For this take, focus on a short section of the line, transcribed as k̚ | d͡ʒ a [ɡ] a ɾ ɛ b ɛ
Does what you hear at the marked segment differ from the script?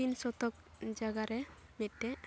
no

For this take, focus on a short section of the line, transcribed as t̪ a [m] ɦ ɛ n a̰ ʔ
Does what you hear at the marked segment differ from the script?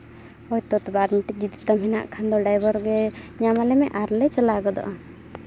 no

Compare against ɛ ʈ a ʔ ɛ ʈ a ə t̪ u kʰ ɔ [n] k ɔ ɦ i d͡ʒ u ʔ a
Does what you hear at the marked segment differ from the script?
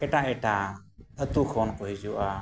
no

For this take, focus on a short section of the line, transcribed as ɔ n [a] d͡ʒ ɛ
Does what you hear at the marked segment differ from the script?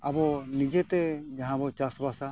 yes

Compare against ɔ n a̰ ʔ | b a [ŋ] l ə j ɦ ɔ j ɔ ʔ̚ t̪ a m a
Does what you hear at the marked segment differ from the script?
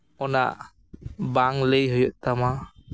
no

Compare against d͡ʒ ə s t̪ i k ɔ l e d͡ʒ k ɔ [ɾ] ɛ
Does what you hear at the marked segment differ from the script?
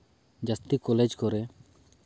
no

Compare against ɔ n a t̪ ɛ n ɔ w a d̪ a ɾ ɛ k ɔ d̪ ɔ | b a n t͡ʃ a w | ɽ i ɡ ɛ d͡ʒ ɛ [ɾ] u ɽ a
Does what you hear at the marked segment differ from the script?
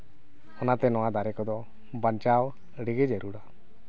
no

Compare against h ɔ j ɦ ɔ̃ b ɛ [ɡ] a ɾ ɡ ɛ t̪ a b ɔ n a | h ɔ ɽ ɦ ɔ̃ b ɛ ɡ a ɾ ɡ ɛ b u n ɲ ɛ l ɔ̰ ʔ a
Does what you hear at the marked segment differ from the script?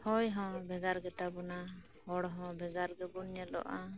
no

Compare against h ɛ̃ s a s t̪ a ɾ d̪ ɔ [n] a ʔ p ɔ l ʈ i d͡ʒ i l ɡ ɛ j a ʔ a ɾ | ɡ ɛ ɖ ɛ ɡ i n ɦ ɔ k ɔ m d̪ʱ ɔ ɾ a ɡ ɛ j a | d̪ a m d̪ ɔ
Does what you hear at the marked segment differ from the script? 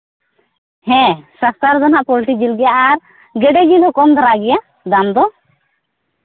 no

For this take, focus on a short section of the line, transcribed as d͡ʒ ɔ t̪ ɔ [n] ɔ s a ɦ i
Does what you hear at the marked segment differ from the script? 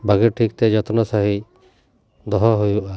no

